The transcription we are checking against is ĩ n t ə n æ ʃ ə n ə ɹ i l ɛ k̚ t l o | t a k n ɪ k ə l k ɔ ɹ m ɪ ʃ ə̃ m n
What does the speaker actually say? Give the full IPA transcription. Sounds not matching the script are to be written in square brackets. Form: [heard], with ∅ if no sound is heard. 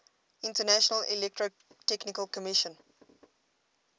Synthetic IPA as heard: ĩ n t ə n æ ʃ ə n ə [l] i l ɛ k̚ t [ɹ] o | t [ɛ] k n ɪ k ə l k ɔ [∅] m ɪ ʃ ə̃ [∅] n

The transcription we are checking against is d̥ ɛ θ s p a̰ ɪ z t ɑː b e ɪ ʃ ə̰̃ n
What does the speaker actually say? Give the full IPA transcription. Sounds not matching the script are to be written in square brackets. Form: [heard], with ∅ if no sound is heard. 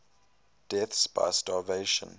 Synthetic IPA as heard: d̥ ɛ θ s [b] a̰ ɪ [s] t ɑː [v] e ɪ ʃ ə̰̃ n

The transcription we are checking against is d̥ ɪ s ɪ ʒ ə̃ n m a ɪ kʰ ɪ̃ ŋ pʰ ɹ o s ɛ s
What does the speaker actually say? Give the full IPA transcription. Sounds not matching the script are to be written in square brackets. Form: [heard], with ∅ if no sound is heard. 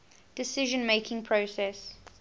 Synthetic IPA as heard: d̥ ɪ s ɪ ʒ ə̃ n m [e] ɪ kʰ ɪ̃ ŋ pʰ ɹ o s ɛ s

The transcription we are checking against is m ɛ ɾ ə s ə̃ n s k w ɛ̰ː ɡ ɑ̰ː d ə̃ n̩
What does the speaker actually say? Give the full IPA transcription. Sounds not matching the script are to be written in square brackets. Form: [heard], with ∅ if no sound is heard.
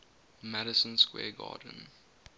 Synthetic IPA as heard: m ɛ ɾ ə s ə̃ n s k w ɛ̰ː ɡ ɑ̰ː d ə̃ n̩

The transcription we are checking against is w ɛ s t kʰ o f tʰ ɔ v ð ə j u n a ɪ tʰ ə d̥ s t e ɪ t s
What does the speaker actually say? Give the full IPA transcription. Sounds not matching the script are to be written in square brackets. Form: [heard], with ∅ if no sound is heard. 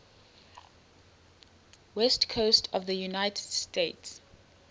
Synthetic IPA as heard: w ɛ s t kʰ o [s] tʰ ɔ v ð ə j u n a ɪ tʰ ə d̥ s t e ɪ t s

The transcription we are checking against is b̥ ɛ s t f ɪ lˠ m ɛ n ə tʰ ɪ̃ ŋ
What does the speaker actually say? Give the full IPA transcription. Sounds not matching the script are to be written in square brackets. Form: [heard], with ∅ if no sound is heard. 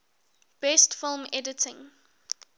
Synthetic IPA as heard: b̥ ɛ s t f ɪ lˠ m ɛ [d] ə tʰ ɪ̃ ŋ

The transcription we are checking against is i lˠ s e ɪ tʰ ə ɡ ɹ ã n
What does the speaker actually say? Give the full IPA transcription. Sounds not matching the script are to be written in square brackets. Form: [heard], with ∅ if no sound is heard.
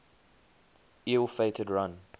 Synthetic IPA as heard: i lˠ [f] e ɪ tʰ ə [d] ɹ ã n

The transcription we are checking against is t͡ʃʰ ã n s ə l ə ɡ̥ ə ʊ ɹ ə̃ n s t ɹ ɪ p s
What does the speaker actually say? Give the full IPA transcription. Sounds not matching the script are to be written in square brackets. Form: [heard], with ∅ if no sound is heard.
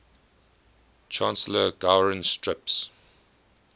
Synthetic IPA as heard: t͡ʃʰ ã n s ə l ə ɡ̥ [a] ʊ ɹ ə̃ n s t ɹ ɪ p s

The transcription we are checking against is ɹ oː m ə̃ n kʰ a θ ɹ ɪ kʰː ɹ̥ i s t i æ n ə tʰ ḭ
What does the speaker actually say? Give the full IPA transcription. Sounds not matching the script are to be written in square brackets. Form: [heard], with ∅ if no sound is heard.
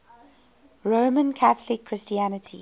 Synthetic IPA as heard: ɹ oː m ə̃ n kʰ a θ [l] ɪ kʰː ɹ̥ [ɪ] s t i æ n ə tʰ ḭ

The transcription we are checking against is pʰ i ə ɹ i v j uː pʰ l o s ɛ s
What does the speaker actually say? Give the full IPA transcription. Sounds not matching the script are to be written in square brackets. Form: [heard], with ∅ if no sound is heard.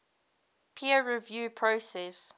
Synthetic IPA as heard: pʰ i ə ɹ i v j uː pʰ [ɹ] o s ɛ s

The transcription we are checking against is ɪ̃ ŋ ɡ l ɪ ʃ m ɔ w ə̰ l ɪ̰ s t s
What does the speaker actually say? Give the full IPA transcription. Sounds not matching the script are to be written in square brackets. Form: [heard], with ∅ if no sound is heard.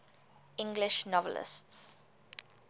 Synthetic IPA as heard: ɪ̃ ŋ ɡ l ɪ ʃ [n] ɔ [v] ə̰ l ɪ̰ s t s

